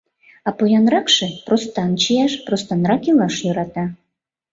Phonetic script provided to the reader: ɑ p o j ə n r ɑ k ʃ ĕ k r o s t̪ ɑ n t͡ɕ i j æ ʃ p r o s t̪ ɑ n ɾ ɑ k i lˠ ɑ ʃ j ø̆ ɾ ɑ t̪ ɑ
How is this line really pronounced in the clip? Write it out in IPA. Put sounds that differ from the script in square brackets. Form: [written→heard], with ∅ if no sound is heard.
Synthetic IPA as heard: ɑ p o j [ə→ɑ] n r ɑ k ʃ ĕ [k→p] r o s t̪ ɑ n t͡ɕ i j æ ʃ p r o s t̪ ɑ n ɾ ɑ k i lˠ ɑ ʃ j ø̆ ɾ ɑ t̪ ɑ

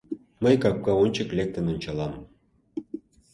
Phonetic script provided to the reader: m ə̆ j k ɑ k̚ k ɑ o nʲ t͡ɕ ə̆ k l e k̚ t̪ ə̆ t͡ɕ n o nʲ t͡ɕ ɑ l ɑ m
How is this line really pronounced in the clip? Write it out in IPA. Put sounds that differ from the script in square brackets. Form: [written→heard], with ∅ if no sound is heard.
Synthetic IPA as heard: m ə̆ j k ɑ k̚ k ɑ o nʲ t͡ɕ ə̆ k l e k̚ t̪ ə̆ [t͡ɕ→∅] n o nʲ t͡ɕ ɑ l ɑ m

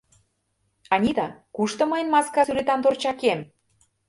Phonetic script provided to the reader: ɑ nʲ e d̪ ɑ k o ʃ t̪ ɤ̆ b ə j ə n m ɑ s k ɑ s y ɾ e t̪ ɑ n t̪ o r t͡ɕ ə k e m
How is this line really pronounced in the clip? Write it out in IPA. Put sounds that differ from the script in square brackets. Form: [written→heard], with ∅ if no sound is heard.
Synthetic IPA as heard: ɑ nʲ [e→i] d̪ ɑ k [o→u] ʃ t̪ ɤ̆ [b→m] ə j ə n m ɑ s k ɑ s y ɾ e t̪ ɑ n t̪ o r t͡ɕ [ə→ɑ] k e m

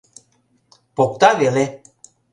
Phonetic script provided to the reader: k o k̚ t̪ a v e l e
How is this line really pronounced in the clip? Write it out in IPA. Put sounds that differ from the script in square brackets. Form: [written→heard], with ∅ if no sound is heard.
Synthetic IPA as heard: [k→p] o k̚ t̪ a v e l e

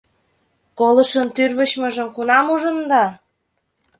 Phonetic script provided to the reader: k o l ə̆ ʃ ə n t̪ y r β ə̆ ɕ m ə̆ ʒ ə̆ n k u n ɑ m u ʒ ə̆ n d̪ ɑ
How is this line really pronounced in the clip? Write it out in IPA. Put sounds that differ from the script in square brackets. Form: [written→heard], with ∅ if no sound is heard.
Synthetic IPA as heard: k o l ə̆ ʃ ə n t̪ y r β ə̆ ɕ m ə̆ ʒ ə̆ [n→m] k u n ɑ m u ʒ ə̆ n d̪ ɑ

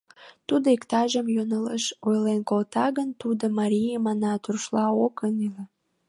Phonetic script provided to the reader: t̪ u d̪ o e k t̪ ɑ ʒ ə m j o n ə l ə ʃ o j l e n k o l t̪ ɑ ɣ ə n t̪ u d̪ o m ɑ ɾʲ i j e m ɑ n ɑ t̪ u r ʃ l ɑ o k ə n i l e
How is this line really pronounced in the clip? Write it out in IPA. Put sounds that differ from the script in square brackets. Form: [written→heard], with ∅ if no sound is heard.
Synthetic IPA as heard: t̪ u d̪ o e k t̪ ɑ ʒ ə m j o n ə l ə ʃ o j l e n k o l t̪ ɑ ɣ ə n t̪ u d̪ o m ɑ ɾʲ i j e m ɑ n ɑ t̪ u r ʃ l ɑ o k ə n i l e

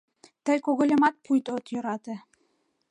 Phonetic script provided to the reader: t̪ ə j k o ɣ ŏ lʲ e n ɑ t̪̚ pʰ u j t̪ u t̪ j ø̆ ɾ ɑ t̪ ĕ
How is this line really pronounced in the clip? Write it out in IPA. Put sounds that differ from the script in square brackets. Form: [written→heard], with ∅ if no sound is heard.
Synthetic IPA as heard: t̪ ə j k o ɣ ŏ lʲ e [n→m] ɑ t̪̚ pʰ u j t̪ [u→o] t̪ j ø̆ ɾ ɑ t̪ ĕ

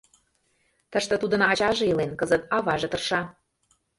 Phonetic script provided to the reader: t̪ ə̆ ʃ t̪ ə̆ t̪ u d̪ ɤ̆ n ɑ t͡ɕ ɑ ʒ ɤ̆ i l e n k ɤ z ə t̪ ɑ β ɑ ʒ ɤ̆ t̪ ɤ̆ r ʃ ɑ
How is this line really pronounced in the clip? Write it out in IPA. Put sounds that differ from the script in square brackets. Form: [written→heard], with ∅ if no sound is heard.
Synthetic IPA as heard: t̪ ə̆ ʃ t̪ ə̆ t̪ u d̪ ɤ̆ n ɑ t͡ɕ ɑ ʒ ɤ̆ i l e n k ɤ z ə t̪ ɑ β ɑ ʒ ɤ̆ t̪ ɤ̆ r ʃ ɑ

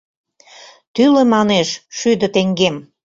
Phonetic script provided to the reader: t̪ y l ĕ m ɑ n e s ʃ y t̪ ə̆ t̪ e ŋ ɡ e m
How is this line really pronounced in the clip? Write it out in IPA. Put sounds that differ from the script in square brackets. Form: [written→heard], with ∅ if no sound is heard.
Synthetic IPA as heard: t̪ y l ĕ m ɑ n e [s→ʃ] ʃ y [t̪→d̪] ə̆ t̪ e ŋ ɡ e m

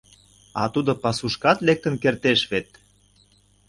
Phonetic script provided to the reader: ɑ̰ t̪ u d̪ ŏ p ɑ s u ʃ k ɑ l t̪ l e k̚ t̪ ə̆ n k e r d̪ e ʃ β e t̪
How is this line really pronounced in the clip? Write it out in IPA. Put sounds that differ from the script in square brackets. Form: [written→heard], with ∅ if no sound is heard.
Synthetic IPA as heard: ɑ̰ t̪ u d̪ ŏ p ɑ s u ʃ k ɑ [l→∅] t̪ l e k̚ t̪ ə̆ n k e r [d̪→t̪] e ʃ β e t̪

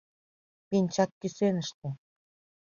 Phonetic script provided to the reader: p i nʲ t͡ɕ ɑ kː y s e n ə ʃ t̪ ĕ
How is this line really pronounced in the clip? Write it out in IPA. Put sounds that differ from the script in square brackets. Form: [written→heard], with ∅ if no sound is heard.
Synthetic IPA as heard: p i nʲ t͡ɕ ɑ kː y s e n ə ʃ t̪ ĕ

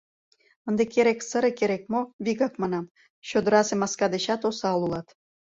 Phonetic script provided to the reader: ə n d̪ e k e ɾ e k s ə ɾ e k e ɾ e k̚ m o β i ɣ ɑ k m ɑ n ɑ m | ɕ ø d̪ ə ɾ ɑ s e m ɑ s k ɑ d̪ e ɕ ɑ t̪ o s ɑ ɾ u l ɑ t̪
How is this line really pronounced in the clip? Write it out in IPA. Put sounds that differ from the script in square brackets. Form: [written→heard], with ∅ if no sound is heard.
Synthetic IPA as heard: ə n d̪ e k e ɾ e k s ə ɾ e k e ɾ e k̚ m o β i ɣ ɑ k m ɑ n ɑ m | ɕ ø d̪ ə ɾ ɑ s e m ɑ s k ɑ d̪ e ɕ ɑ t̪ o s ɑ [ɾ→l] u l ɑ t̪

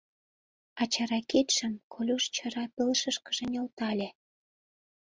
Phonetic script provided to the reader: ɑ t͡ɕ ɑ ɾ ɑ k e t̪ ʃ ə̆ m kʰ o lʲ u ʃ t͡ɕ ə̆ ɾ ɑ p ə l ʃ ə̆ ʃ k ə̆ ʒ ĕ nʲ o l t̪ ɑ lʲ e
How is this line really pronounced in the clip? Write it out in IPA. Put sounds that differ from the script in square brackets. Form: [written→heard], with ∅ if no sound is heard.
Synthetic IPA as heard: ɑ t͡ɕ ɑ ɾ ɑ k e t̪ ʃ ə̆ m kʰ o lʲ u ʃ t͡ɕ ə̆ ɾ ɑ p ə l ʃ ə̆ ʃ k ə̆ ʒ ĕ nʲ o l t̪ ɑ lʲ e

